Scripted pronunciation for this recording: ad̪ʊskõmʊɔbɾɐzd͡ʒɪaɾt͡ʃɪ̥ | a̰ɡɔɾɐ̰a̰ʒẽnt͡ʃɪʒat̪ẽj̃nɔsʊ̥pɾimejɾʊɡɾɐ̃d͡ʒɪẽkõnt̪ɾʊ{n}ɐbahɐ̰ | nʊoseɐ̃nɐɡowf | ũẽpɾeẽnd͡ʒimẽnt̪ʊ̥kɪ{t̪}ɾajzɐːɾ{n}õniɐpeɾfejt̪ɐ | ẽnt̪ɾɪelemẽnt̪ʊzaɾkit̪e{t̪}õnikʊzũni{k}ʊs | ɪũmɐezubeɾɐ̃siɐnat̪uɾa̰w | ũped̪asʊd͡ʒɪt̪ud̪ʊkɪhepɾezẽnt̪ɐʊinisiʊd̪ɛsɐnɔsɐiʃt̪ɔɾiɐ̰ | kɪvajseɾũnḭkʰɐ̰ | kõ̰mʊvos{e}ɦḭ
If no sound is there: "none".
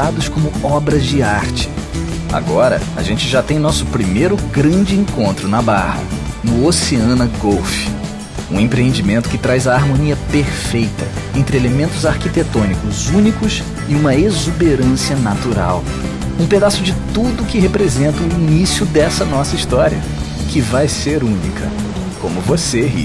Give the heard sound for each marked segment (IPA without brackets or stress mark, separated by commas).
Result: n, t̪, m, t̪, k, e